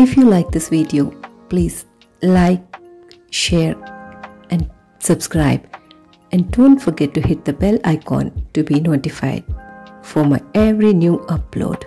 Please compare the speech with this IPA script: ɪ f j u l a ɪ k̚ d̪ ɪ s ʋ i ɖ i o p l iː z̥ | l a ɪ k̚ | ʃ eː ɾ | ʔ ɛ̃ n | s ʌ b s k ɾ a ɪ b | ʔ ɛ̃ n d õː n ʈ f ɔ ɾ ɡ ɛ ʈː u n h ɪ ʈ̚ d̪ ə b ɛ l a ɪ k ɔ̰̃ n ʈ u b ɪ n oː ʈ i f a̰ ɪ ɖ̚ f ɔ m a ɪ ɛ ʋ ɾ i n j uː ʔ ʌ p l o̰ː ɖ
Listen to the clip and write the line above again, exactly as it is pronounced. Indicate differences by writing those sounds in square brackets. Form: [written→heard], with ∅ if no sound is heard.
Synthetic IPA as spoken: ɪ f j u l a ɪ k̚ d̪ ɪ s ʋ i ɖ i o p l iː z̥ | l a ɪ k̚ | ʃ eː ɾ | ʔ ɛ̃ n | s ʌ b s k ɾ a ɪ b | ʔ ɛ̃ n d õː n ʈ f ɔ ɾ ɡ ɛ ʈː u [n→∅] h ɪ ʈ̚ d̪ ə b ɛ l a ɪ k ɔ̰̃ n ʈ u b [ɪ→i] n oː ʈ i f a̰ ɪ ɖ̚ f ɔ m a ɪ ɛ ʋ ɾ i n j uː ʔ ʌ p l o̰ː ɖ